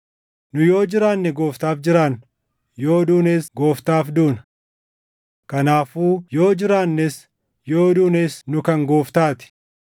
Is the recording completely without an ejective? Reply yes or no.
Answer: yes